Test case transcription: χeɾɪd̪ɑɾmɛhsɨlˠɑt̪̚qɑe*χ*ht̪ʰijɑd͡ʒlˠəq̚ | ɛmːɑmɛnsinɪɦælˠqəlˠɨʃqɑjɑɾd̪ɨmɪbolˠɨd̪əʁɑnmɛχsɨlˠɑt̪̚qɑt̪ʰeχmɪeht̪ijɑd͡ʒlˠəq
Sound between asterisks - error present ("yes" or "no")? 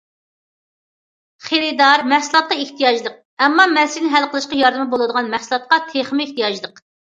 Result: yes